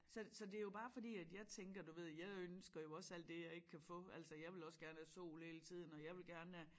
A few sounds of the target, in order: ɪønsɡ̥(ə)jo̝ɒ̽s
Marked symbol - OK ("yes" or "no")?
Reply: no